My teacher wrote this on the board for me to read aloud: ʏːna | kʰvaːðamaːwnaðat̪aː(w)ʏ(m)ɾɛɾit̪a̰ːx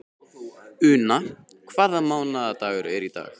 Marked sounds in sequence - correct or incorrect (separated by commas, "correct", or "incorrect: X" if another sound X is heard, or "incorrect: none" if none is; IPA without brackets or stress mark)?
incorrect: ɣ, incorrect: none